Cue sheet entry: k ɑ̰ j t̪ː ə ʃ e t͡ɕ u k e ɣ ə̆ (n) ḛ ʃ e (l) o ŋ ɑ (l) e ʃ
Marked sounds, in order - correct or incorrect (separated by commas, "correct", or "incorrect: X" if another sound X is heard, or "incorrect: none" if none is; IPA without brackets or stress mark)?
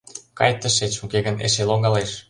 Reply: correct, correct, correct